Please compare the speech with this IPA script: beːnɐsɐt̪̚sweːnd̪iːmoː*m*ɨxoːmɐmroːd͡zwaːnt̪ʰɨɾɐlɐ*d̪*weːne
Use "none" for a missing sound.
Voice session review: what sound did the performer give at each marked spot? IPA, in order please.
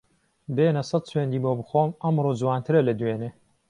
b, d̪

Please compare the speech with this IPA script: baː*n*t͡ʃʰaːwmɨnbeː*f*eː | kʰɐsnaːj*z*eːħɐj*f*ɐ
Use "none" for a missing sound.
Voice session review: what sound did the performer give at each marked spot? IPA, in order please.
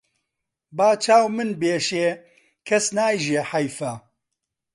none, ʃ, ʒ, f

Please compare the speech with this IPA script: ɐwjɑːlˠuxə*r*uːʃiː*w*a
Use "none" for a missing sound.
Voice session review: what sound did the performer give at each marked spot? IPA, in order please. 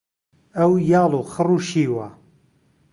r, w

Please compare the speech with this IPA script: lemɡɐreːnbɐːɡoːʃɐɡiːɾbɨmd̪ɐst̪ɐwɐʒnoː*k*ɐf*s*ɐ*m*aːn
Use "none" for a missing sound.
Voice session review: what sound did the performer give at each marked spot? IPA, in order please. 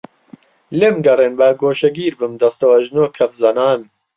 kʰ, z, n

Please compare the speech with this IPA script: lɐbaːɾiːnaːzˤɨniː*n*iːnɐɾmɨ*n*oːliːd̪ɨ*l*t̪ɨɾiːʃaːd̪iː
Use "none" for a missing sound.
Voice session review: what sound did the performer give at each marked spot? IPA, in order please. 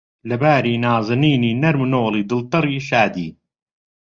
n, n, l

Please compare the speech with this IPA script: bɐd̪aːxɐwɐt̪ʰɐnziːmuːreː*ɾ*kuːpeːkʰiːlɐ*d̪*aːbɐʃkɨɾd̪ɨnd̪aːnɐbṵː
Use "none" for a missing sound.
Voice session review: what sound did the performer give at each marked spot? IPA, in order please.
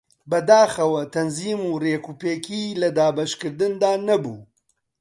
none, d̪

